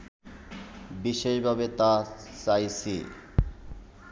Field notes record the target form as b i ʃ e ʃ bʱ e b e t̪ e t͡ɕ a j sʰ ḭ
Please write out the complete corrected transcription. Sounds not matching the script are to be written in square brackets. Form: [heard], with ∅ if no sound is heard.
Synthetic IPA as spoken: b i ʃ e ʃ bʱ [a] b e t̪ [a] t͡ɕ a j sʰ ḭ

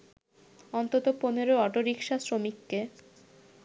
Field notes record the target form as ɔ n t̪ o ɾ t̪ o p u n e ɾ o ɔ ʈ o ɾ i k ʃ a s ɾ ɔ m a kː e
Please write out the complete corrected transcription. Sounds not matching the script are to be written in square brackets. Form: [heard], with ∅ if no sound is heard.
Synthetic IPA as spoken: ɔ n t̪ o [∅] t̪ o p [o] n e ɾ o ɔ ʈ o ɾ i k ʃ a s ɾ [o] m [i] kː e

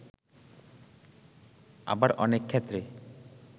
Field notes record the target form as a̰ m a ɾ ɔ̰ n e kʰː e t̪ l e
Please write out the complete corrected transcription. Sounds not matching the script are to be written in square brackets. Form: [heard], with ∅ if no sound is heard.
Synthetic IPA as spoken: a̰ [b] a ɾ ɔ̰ n e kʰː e t̪ [ɾ] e

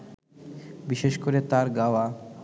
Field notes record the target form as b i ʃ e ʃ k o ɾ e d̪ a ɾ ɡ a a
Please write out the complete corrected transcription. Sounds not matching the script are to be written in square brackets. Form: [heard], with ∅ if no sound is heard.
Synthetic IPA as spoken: b i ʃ e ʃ k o ɾ e [t̪] a ɾ ɡ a a

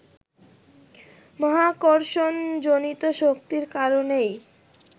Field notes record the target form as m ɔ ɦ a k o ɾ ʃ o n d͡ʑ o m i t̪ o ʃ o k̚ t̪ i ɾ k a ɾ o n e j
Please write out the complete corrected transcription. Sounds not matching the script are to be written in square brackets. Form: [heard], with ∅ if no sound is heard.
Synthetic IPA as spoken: m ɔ ɦ a k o ɾ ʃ o n d͡ʑ o [n] i t̪ o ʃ o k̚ t̪ i ɾ k a ɾ o n e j

